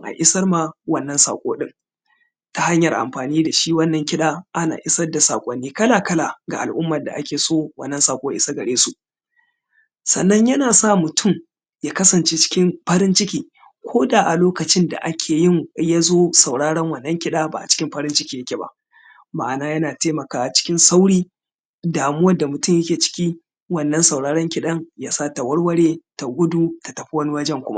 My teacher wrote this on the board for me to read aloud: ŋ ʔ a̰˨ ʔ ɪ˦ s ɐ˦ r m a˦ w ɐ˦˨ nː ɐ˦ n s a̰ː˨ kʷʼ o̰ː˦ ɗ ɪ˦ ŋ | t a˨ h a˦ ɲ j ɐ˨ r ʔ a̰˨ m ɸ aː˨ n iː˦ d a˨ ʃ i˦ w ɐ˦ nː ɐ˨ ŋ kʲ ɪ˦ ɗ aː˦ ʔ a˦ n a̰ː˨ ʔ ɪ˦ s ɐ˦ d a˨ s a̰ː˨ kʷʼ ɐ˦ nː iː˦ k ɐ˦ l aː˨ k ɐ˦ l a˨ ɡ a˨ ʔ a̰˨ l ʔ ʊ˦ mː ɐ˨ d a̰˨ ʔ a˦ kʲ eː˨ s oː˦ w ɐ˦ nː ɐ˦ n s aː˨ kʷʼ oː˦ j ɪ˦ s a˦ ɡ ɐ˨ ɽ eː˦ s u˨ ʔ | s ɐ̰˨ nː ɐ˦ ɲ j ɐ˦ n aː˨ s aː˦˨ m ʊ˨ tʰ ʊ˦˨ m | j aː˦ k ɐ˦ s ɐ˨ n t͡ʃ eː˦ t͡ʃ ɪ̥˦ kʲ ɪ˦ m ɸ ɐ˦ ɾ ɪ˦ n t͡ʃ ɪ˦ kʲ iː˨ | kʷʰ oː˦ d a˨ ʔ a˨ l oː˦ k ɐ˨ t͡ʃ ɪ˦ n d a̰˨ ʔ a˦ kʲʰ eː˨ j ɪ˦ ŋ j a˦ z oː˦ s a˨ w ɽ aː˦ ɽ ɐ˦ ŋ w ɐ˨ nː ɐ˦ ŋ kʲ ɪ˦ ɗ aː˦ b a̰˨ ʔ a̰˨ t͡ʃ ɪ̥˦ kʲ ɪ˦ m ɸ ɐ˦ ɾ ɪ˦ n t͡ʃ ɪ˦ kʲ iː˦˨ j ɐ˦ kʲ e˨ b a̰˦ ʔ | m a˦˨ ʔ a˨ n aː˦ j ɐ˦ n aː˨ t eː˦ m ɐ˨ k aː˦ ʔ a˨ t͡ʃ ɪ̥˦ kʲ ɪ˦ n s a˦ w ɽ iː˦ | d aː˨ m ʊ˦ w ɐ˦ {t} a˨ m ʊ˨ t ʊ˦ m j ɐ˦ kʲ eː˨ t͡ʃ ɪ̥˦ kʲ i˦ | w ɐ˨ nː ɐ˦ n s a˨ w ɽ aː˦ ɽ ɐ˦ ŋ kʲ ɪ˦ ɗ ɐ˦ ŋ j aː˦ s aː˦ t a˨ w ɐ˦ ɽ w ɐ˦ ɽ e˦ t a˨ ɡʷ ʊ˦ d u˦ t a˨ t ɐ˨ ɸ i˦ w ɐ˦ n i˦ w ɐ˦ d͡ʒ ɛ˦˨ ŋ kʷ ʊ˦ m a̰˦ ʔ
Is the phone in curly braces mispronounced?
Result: yes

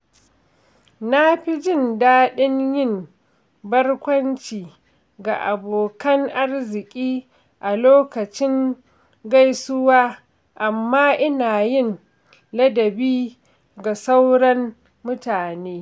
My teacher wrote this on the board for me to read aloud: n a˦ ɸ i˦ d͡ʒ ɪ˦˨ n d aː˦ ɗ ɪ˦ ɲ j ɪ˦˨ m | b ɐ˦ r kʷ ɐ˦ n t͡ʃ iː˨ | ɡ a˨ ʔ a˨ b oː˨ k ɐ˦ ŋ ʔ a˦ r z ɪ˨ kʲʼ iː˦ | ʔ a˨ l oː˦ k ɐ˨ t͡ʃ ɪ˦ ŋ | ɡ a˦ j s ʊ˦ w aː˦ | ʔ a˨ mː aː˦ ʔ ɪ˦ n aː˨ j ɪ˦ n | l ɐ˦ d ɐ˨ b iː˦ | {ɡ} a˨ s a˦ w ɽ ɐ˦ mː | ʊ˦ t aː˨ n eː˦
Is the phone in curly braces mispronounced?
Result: no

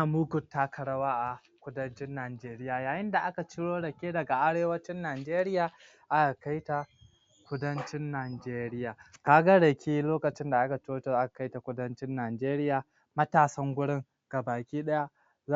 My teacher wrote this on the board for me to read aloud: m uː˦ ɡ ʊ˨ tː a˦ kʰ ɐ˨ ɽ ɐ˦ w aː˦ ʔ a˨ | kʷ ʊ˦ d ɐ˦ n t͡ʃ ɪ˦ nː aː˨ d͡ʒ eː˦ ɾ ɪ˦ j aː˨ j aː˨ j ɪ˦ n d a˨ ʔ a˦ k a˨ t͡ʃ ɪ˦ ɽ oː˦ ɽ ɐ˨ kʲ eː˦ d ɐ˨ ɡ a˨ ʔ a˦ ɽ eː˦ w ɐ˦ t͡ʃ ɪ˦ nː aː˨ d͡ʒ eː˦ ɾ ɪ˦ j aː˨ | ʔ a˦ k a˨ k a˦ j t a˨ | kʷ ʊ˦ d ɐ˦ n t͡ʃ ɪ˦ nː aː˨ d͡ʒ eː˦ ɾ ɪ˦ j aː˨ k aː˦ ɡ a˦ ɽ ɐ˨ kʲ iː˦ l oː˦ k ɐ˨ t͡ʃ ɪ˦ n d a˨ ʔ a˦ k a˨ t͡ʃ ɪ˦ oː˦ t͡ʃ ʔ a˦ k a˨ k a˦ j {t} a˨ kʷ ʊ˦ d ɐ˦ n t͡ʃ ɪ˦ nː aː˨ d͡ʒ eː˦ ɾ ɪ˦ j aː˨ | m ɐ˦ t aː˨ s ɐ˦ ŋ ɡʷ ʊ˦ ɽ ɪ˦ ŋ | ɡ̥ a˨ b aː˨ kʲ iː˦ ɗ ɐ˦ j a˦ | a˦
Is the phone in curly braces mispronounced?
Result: no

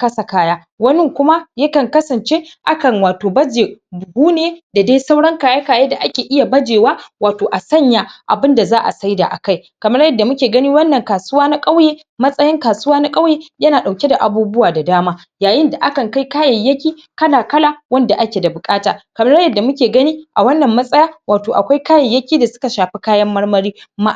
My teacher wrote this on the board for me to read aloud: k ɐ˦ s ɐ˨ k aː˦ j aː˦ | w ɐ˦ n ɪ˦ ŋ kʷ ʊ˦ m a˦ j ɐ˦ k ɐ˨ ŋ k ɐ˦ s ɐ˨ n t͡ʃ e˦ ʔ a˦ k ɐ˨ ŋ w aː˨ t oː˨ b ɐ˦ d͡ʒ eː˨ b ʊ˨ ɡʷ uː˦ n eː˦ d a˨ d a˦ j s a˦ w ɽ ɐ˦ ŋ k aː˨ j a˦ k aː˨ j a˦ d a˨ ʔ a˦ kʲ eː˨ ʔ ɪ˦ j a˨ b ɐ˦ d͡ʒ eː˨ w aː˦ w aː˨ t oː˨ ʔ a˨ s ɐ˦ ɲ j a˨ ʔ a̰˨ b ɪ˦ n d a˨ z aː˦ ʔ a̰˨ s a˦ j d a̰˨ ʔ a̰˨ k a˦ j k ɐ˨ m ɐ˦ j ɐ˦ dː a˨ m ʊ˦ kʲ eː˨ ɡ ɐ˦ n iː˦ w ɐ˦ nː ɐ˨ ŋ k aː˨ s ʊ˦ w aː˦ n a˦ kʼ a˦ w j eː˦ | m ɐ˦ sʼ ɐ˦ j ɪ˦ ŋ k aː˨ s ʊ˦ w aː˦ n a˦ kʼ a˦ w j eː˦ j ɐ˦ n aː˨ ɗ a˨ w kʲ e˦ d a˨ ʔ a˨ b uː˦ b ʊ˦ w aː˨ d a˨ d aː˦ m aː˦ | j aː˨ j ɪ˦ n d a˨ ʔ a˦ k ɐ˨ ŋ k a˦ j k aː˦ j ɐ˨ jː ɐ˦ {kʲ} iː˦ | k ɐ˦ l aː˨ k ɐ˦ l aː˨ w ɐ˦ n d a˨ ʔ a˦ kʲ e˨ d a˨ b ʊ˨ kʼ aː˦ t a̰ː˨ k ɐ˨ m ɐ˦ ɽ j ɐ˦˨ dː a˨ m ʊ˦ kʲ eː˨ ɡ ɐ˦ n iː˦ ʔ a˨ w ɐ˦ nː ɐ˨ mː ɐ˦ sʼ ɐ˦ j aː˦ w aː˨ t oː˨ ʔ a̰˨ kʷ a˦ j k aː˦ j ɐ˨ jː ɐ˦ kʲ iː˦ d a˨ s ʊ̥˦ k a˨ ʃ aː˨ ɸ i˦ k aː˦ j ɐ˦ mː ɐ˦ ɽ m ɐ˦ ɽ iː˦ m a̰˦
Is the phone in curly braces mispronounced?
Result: no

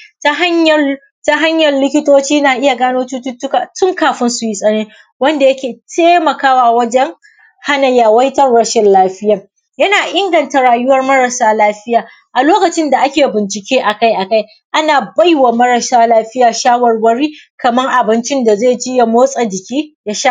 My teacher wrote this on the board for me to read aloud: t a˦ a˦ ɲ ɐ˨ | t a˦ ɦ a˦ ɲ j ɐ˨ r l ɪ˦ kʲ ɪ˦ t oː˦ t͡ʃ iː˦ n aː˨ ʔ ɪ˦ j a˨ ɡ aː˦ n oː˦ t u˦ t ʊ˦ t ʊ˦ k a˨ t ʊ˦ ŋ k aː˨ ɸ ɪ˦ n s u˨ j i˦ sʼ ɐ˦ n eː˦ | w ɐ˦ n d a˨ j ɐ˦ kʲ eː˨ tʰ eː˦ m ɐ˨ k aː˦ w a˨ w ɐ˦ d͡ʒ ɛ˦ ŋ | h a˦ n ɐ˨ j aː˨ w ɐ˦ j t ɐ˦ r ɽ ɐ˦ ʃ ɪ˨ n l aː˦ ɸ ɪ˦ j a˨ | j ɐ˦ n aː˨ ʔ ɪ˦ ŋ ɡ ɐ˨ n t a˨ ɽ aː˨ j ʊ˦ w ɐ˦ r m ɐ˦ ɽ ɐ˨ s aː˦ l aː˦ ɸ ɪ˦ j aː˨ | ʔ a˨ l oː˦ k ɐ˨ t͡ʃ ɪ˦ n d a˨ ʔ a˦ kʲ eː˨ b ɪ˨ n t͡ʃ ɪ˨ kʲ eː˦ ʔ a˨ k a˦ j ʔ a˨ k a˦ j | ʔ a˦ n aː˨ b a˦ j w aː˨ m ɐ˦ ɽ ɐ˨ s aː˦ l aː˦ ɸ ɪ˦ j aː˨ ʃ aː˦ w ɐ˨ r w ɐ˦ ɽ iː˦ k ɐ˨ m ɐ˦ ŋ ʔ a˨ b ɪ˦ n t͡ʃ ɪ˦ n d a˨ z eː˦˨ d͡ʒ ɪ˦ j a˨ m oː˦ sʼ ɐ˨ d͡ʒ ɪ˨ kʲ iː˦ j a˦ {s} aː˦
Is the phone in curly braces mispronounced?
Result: yes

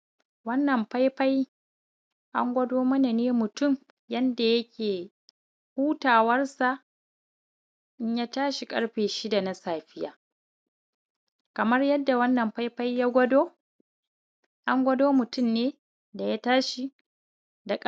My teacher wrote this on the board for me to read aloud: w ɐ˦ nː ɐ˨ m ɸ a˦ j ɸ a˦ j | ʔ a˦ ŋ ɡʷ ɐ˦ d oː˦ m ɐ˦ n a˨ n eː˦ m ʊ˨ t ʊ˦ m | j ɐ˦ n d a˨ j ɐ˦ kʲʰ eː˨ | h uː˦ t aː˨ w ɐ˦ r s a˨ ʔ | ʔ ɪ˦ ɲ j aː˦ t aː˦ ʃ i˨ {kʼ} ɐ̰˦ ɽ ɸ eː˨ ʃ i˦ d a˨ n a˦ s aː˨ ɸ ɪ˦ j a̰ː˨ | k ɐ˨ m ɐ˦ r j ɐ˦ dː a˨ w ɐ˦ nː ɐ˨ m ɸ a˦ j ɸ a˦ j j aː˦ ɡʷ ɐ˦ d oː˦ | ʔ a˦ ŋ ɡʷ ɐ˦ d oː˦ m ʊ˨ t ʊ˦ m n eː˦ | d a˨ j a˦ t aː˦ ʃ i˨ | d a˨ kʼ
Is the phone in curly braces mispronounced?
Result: no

